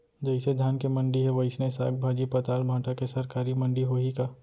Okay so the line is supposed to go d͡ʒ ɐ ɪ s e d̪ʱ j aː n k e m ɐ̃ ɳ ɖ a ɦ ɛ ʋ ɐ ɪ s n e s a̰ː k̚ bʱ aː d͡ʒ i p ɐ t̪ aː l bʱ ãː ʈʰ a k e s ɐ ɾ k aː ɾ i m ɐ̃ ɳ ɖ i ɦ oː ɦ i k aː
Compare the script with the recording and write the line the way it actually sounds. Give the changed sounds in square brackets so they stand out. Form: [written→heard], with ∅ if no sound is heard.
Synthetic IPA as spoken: d͡ʒ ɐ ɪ s e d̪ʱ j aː n k e m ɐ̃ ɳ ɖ [a→i] ɦ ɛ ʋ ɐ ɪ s n e s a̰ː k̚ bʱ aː d͡ʒ i p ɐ t̪ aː l bʱ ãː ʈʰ a k e s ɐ ɾ k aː ɾ i m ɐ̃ ɳ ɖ i ɦ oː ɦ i k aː